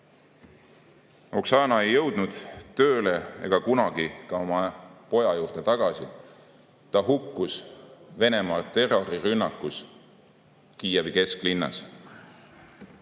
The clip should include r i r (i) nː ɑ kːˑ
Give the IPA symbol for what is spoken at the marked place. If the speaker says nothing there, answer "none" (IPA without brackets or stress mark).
y